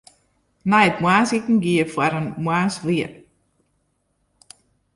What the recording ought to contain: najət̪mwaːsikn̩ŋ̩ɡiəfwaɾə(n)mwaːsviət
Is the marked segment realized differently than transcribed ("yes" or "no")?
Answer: no